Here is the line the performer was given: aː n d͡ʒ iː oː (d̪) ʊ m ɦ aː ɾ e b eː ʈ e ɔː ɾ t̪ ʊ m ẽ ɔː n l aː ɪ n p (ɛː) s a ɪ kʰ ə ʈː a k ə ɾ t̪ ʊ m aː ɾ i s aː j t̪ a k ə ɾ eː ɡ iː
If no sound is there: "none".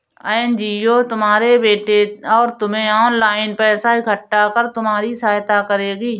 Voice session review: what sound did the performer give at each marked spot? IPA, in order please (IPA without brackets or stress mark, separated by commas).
t̪, ɛː